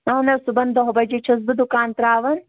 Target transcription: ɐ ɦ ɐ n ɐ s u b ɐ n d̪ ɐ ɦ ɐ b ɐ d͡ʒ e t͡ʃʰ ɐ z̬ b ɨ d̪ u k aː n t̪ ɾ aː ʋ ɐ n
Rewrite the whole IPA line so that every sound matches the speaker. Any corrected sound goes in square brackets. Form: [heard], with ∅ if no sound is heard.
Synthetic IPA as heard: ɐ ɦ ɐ n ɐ s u b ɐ n d̪ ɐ ɦ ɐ b ɐ d͡ʒ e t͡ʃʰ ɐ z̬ b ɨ d̪ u k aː n t̪ ɾ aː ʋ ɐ n